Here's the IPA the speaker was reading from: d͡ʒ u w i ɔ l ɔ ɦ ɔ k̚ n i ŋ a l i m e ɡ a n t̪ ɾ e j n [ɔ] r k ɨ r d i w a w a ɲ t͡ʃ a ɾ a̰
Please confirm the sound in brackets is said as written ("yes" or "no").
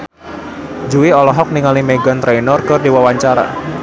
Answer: yes